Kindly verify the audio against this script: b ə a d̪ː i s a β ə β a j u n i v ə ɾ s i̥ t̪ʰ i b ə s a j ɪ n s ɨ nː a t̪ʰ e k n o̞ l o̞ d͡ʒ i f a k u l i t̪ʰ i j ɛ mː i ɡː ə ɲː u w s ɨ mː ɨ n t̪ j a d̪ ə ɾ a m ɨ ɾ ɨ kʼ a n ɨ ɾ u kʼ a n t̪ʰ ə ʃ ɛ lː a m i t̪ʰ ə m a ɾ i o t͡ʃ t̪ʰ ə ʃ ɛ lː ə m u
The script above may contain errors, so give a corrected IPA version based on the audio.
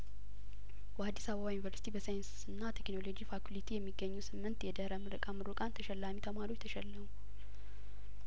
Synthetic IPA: b ə a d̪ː i s a β ə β a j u n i v ə ɾ s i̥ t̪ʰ i b ə s a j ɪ n s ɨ nː a t̪ʰ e k n o̞ l o̞ d͡ʒ i f a k u l i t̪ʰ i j ɛ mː i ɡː ə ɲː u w s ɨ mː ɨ n t̪ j ɛ d̪ ə ɾ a m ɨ ɾ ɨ kʼ a m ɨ ɾ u kʼ a n t̪ʰ ə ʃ ɛ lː a m i t̪ʰ ə m a ɾ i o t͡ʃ t̪ʰ ə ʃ ɛ lː ə m u

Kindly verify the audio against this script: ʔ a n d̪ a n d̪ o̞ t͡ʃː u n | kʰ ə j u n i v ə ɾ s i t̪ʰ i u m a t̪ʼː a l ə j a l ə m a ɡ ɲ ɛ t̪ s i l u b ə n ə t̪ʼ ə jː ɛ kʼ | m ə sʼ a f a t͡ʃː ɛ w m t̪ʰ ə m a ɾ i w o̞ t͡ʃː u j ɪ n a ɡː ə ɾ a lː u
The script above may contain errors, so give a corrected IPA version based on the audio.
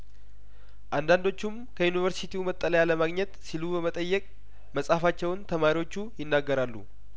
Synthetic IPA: ʔ a n d̪ a n d̪ o̞ t͡ʃː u m | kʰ ə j u n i v ə ɾ s i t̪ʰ i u m ə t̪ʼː ə l ə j a l ə m a ɡ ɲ ɛ t̪ s i l u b ə m ə t̪ʼ ə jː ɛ kʼ | m ə sʼ a f a t͡ʃː ɛ w n t̪ʰ ə m a ɾ i w o̞ t͡ʃː u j ɪ nː a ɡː ə ɾ a lː u

